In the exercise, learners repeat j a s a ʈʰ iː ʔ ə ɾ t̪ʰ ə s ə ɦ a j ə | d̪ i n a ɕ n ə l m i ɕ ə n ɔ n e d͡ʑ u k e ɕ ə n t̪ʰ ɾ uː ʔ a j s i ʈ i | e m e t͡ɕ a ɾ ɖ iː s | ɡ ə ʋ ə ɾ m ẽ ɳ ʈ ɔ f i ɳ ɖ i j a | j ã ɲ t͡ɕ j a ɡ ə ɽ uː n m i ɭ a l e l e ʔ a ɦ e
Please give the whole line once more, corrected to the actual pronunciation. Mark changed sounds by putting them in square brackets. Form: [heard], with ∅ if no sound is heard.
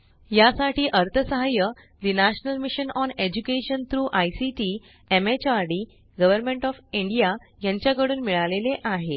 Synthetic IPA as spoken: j a s a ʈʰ iː ʔ ə ɾ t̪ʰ ə s ə ɦ a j ə | d̪ i n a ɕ n ə l m i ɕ ə n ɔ n e d͡ʑ u k e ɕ ə n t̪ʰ ɾ uː ʔ a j s i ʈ i | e m e t͡ɕ a ɾ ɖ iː [∅] | ɡ ə ʋ ə ɾ m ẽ ɳ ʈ ɔ f i ɳ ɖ i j a | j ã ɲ t͡ɕ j a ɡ ə ɽ uː n m i ɭ a l e l e ʔ a ɦ e